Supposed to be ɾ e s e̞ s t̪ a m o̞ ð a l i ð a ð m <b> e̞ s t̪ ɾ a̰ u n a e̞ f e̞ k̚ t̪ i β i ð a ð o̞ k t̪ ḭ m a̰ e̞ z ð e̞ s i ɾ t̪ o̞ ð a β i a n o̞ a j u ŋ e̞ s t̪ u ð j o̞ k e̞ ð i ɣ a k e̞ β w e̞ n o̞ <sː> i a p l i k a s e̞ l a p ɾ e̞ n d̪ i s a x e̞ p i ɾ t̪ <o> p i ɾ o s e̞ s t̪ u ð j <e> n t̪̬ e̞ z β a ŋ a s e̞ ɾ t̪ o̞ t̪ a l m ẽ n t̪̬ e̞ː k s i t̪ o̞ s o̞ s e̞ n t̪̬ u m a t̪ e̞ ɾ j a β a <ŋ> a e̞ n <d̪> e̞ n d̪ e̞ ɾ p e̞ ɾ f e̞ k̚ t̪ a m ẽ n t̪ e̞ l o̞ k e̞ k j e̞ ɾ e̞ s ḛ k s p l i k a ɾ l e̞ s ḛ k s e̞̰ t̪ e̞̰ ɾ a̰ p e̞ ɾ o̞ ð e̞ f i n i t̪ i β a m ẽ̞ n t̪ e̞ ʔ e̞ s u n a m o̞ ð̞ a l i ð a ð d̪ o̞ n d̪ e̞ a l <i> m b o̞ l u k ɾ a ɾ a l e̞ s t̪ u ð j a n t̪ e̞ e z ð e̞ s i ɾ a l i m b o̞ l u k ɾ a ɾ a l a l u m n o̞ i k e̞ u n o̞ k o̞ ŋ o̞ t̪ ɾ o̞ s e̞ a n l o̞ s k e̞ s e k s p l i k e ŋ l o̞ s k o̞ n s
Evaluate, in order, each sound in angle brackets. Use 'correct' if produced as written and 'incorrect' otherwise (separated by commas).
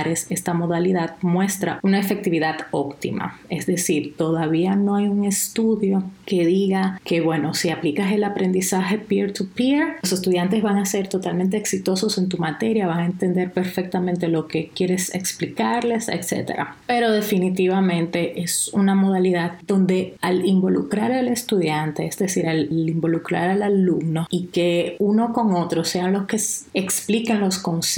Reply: incorrect, incorrect, incorrect, incorrect, correct, incorrect, correct